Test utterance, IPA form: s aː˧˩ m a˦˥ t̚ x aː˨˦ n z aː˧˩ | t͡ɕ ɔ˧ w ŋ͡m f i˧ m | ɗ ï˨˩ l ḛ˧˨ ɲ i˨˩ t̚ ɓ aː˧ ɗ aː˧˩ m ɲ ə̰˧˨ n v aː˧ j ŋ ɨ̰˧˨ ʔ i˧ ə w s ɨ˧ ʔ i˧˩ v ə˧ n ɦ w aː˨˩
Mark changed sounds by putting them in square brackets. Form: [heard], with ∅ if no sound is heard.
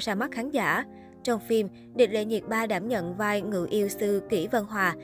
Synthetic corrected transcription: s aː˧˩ m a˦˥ t̚ x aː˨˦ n z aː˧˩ | t͡ɕ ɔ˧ w ŋ͡m f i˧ m | ɗ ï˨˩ l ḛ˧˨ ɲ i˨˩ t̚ ɓ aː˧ ɗ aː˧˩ m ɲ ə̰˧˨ n v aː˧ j ŋ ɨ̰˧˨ ʔ i˧ ə w s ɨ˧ [k] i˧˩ v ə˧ n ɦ w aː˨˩